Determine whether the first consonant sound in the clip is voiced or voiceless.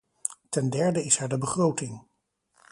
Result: voiceless